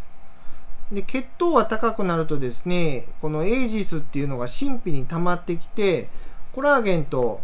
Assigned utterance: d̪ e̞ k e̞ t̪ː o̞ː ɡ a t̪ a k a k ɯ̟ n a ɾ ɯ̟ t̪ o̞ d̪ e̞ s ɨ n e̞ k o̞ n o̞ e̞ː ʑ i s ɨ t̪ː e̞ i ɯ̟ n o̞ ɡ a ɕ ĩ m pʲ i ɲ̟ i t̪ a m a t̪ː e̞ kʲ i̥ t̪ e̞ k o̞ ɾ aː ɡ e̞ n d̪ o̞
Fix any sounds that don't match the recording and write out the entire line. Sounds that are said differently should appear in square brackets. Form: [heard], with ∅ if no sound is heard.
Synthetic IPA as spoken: d̪ e̞ k e̞ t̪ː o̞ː ɡ a t̪ a k a k ɯ̟ n a ɾ ɯ̟ t̪ o̞ d̪ e̞ s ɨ n e̞ k o̞ n o̞ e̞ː ʑ i s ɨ t̪ː e̞ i ɯ̟ n o̞ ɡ a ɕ ĩ m pʲ i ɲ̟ i t̪ a m a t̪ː e̞ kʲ i̥ t̪ e̞ k o̞ ɾ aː ɡ [ẽ̞] n [t̪] o̞